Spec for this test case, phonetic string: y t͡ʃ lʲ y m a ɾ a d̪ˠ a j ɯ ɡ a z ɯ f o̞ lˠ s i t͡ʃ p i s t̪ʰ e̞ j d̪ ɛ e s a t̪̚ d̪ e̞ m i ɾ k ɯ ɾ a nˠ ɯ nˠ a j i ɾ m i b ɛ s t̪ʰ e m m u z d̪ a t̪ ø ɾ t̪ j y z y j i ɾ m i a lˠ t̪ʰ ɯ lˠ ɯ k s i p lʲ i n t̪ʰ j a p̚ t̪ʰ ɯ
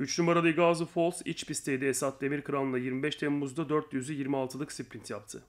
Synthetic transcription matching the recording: y t͡ʃ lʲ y m a ɾ a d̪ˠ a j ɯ ɡ a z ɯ f o̞ lˠ s i t͡ʃ p i s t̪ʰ e̞ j d̪ ɛ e s a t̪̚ d̪ e̞ m i ɾ k ɯ ɾ a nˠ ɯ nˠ a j i ɾ m i b ɛ ʃ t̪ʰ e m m u z d̪ a d̪ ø ɾ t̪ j y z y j i ɾ m i a lˠ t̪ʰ ɯ lˠ ɯ k s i p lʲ i n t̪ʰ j a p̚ t̪ʰ ɯ